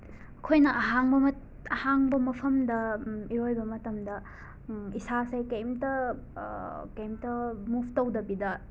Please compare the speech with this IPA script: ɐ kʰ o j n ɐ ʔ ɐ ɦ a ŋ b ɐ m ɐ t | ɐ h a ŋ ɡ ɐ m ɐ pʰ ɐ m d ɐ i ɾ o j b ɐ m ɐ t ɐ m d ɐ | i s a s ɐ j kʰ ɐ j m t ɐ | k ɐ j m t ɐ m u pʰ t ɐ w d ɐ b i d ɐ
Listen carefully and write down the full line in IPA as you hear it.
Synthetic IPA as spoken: ɐ kʰ o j n ɐ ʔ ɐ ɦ a ŋ b ɐ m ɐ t | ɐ h a ŋ b ɐ m ɐ pʰ ɐ m d ɐ i ɾ o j b ɐ m ɐ t ɐ m d ɐ | i s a s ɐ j k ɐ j m t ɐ | k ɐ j m t ɐ m u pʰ t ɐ w d ɐ b i d ɐ